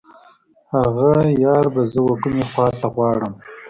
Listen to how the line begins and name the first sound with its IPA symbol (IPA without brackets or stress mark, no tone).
h